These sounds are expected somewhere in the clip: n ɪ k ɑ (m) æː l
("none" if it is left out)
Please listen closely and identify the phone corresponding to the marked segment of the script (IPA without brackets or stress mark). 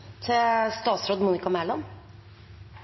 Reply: m